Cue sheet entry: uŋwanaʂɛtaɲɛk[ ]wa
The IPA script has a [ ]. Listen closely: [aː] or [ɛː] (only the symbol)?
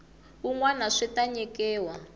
ɛː